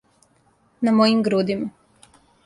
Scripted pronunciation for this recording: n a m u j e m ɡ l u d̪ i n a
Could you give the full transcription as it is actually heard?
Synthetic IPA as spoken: n a m o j i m ɡ ɾ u d̪ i m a

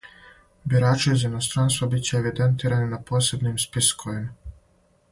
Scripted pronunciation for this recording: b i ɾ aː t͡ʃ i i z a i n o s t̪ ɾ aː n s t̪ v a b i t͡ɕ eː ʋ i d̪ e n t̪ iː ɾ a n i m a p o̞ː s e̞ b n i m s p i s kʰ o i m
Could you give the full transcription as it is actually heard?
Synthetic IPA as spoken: b i ɾ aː t͡ʃ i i z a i n o s t̪ ɾ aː n s t̪ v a b i t͡ɕ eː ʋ i d̪ e n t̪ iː ɾ a n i n a p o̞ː s e̞ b n i m s p i s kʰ o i m

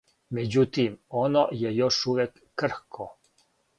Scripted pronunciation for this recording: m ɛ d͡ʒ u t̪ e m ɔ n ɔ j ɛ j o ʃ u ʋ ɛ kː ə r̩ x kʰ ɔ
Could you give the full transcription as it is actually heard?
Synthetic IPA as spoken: m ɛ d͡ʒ u t̪ i m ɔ n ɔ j ɛ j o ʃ u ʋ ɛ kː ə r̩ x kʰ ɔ

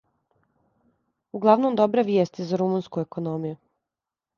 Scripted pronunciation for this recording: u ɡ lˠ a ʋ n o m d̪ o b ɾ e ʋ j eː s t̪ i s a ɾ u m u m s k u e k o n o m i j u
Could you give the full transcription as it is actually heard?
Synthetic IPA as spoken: u ɡ lˠ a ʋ n o m d̪ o b ɾ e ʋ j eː s t̪ i z a ɾ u m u n s k u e k o n o m i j u

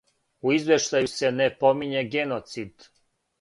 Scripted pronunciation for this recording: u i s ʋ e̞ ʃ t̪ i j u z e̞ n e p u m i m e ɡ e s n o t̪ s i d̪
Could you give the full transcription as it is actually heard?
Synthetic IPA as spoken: u i z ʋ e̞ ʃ t̪ a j u s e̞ n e p o m i ɲ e ɡ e n o t̪ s i d̪

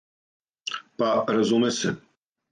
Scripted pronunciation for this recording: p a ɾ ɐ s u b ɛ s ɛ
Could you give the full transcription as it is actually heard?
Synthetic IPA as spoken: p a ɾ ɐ z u m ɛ s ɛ

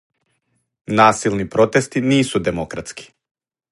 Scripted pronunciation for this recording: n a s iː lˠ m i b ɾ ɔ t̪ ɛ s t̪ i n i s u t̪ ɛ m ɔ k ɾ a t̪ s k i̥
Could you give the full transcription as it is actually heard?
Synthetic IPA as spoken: n a s i lˠ n i p ɾ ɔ t̪ ɛ s t̪ i n i s u d̪ ɛ m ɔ k ɾ a t̪ s k i̥

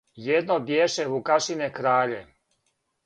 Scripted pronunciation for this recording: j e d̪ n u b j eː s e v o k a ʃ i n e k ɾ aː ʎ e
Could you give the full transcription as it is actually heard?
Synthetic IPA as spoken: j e d̪ n o b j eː ʃ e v u k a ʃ i n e k ɾ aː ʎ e

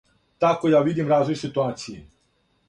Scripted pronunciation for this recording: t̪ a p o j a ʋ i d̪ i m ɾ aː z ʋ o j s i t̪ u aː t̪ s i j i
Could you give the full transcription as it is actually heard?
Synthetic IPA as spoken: t̪ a k o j a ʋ i d̪ i m ɾ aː z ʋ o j s i t̪ u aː t̪ s i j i

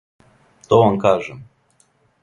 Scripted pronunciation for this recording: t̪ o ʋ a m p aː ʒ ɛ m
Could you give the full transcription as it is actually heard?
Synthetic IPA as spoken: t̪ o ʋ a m k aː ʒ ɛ m

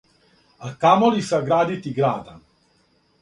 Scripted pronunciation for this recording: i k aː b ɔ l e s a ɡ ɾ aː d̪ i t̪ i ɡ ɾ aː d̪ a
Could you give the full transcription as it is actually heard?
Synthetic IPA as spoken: a k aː m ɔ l i s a ɡ ɾ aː d̪ i t̪ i ɡ ɾ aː d̪ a

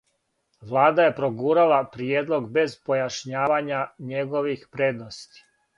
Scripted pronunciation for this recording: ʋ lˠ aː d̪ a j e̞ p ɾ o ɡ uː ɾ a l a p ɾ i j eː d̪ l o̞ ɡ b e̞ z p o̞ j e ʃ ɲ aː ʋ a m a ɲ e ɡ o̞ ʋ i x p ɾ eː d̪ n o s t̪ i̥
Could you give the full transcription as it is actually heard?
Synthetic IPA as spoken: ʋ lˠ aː d̪ a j e̞ p ɾ o ɡ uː ɾ a l a p ɾ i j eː d̪ l o̞ ɡ b e̞ z p o̞ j a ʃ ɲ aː ʋ a ɲ a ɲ e ɡ o̞ ʋ i x p ɾ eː d̪ n o s t̪ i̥

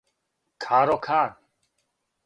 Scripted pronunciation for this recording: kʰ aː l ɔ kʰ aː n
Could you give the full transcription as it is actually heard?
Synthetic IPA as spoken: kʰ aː ɾ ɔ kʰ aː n

